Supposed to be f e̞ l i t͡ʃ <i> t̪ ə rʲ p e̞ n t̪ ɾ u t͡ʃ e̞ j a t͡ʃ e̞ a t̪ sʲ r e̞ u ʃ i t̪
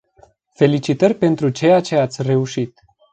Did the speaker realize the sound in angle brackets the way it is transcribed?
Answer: yes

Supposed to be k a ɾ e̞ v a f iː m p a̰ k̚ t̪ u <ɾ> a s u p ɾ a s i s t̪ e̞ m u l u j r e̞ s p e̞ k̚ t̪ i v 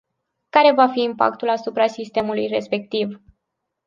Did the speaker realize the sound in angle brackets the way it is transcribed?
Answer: no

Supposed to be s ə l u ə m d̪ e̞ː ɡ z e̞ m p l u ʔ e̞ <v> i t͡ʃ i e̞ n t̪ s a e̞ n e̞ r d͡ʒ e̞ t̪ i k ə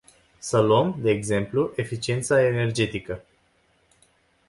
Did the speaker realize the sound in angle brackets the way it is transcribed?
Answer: no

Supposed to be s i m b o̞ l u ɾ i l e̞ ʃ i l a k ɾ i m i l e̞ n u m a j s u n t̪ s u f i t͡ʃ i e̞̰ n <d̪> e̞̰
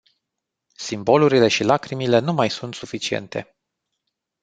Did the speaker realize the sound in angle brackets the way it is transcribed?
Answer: no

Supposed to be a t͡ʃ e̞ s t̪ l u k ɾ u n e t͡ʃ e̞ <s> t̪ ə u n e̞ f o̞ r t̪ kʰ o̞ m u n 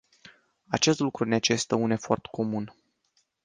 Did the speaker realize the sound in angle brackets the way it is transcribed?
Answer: yes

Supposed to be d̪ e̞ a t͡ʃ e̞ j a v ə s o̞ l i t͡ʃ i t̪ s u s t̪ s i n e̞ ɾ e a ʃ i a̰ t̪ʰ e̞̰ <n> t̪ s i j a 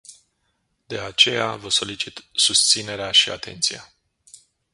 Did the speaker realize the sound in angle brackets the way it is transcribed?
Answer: yes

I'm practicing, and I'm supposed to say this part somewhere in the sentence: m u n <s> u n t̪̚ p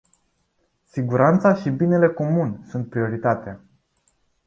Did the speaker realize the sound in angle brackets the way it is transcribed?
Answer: yes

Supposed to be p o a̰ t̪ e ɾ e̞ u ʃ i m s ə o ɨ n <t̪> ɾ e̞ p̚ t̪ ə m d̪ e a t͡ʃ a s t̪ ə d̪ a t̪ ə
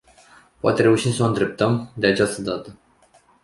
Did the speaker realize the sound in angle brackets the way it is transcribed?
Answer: no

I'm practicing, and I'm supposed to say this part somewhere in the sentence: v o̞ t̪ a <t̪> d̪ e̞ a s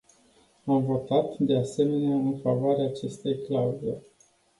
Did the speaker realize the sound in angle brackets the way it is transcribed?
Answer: yes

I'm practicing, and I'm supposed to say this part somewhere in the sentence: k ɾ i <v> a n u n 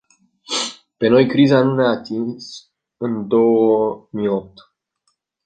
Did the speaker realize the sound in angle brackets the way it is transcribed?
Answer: no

